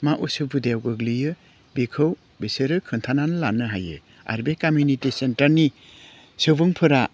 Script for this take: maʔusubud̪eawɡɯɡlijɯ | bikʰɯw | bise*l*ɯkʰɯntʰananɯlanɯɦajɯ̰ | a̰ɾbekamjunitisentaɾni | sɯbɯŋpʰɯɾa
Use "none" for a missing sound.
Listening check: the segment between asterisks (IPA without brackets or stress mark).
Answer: ɾ